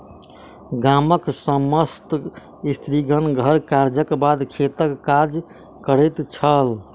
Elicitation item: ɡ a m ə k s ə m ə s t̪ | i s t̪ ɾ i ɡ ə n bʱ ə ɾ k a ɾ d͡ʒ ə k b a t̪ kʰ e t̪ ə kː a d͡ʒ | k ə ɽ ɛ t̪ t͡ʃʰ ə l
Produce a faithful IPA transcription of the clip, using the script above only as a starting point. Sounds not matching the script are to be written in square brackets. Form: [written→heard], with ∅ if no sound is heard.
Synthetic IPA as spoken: ɡ a m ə k s ə m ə s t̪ | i s t̪ ɾ i ɡ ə n [bʱ→ɡʱ] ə ɾ k a ɾ d͡ʒ ə k b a [t̪→d̪] kʰ e t̪ ə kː a d͡ʒ | k ə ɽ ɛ t̪ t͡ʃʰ ə l

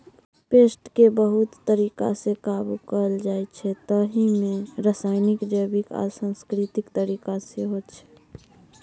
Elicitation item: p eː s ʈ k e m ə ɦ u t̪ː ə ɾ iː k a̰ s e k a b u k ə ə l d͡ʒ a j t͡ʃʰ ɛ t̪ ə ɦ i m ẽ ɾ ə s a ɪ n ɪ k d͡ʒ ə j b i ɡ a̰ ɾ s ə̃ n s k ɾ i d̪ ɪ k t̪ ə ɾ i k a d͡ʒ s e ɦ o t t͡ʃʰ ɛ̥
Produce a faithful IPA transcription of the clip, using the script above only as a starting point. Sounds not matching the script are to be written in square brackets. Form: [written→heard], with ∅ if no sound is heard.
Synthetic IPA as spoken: p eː s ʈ k e [m→b] ə ɦ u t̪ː ə ɾ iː k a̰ s e k a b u k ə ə l d͡ʒ a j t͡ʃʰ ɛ t̪ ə ɦ i m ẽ ɾ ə s a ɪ n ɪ k d͡ʒ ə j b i [ɡ→k] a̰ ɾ s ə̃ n s k ɾ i [d̪→t̪] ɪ k t̪ ə ɾ i k a [d͡ʒ→∅] s e ɦ o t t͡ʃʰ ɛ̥

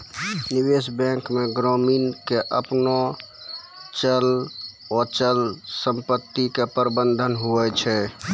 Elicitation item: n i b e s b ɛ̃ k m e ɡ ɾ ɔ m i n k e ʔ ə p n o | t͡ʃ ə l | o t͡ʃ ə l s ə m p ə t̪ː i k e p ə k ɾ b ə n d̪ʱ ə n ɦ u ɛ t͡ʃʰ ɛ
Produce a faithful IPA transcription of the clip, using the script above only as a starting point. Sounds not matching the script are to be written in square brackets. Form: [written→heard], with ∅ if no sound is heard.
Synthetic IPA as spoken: n i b e s b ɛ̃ k m e ɡ ɾ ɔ m i n k e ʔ ə p n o | t͡ʃ ə l | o t͡ʃ ə l s ə m p ə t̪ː i k e p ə [k→∅] ɾ b ə n d̪ʱ ə n ɦ u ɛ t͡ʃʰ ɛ

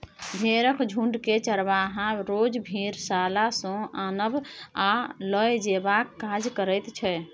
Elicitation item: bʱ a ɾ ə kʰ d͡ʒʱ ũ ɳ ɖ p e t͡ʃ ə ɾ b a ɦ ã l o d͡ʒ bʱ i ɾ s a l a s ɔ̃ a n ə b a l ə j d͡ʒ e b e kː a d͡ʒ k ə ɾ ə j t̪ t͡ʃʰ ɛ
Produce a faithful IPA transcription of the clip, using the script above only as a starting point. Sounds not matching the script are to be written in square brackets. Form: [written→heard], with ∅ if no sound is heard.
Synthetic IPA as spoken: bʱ [a→e] ɾ ə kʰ d͡ʒʱ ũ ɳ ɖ [p→k] e t͡ʃ ə ɾ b a ɦ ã [l→ɾ] o d͡ʒ bʱ i ɾ s a l a s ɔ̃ a n ə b a l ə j d͡ʒ e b [e→a] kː a d͡ʒ k ə ɾ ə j t̪ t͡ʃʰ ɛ

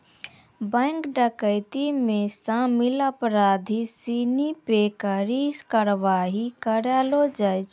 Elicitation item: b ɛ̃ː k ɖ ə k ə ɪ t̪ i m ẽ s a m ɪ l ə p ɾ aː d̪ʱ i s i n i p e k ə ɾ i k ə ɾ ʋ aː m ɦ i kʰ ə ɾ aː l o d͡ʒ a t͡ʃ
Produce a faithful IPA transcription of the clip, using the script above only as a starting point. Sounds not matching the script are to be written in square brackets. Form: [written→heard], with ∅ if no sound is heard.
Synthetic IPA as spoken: b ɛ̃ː k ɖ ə k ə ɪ t̪ i m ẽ s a m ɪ l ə p ɾ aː d̪ʱ i s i n i p e k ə ɾ i k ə ɾ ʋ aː [m→∅] ɦ i [kʰ→k] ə ɾ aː l o d͡ʒ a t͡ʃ

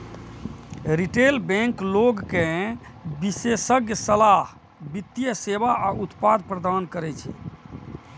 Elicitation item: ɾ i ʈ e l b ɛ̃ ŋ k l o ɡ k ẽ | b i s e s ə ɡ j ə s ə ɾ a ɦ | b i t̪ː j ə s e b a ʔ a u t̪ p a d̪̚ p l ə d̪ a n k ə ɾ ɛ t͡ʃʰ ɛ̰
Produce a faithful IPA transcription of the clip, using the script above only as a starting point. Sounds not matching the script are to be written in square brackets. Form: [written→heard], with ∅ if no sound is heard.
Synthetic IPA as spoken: ɾ i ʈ e l b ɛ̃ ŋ k l o ɡ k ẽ | b i s e s ə ɡ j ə s ə [ɾ→l] a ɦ | b i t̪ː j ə s e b a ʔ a u t̪ p a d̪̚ p [l→ɾ] ə d̪ a n k ə ɾ ɛ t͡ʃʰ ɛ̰

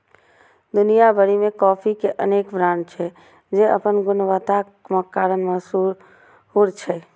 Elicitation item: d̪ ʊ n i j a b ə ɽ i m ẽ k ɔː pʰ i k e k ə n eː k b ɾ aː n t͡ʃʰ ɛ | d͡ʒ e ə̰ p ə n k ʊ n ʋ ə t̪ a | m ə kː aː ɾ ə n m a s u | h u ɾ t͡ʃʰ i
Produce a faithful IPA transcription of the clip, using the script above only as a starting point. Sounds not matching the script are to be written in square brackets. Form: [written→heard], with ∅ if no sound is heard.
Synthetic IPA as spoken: d̪ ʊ n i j a b ə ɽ i m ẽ k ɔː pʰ i k e [k→ʔ] ə n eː k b ɾ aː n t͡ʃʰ ɛ | d͡ʒ e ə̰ p ə n [k→ɡ] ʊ n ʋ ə t̪ a | m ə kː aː ɾ ə n m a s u | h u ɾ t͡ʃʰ [i→ɛ]

